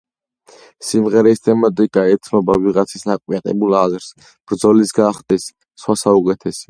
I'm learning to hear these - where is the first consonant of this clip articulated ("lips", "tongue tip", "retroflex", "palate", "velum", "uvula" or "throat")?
tongue tip